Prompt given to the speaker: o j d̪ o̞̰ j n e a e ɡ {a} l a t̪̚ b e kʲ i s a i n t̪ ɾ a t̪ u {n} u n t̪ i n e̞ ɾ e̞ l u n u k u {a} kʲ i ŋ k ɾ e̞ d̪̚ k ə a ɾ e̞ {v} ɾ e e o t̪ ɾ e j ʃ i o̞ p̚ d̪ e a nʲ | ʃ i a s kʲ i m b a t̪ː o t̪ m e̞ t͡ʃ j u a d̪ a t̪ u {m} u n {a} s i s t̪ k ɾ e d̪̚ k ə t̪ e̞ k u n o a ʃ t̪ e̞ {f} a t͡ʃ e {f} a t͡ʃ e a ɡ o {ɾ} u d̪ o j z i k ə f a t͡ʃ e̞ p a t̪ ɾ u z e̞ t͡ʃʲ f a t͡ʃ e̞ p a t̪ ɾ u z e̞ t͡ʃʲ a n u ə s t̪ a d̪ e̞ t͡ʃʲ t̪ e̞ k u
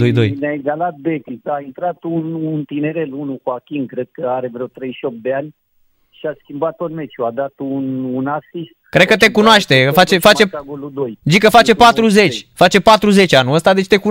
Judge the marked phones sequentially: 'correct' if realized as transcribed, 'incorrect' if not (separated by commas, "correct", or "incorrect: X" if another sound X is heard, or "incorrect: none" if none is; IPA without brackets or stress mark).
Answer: correct, correct, correct, correct, incorrect: n, correct, correct, correct, incorrect: l